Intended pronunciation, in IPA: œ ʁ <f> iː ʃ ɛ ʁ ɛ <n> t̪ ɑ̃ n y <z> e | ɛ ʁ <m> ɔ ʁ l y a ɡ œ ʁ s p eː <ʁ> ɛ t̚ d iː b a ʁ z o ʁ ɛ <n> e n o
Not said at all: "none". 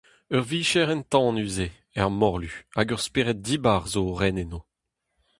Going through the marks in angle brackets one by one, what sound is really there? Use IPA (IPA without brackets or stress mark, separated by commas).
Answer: v, n, z, m, ʁ, n